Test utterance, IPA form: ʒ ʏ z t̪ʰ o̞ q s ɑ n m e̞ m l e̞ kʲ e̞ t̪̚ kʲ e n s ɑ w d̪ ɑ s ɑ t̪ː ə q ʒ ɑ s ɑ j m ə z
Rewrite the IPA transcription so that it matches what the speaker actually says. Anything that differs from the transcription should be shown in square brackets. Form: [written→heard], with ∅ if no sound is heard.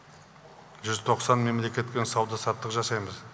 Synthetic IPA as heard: ʒ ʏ z t̪ʰ o̞ q s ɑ n m e̞ m l e̞ kʲ e̞ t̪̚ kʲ e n s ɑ w d̪ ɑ s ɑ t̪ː ə q ʒ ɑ s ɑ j m ə z